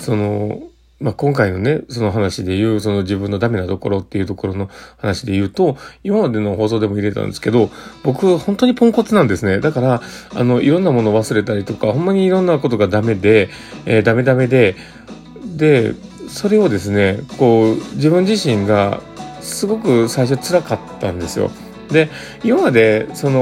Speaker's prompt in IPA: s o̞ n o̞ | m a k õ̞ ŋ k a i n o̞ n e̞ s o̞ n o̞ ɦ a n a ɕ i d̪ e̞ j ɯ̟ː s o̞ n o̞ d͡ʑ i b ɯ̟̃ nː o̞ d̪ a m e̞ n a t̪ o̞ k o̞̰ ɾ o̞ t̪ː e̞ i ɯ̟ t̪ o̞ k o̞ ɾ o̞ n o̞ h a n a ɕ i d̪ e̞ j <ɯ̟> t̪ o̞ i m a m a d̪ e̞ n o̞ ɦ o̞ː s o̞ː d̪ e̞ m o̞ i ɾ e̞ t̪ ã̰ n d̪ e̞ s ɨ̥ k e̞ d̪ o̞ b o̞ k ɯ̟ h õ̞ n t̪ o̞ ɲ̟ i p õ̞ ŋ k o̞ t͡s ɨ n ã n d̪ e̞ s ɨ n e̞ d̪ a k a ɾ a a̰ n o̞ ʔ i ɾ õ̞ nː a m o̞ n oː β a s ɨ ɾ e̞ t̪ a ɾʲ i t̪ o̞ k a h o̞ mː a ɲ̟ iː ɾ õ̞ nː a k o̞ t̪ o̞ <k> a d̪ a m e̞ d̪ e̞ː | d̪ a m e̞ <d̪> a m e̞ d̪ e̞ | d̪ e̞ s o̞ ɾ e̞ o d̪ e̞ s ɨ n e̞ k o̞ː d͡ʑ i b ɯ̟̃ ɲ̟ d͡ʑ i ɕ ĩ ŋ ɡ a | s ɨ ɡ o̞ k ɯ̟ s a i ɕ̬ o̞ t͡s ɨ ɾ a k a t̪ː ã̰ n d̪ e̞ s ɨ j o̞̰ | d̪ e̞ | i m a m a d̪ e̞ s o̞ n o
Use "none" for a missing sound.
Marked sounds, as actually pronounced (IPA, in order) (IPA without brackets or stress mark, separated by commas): ɯ̟ː, ɡ, d̪